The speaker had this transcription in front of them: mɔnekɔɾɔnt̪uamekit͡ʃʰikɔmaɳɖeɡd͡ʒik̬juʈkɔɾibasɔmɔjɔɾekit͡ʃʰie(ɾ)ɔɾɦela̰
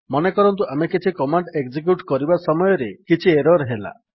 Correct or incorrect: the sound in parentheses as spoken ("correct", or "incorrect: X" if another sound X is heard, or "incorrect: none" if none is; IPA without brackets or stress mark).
correct